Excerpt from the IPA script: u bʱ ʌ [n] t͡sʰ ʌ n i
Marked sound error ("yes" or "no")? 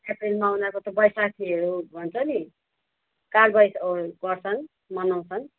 no